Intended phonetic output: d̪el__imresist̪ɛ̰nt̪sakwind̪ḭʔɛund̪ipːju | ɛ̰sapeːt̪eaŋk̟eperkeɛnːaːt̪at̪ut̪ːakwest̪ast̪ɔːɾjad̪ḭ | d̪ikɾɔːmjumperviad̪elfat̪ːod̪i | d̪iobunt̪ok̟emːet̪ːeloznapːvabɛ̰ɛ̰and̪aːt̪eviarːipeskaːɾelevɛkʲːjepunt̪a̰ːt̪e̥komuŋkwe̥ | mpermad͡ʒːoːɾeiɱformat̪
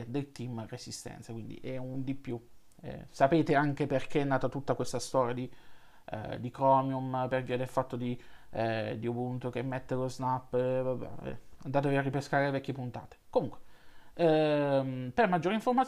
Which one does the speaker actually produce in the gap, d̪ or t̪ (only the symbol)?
t̪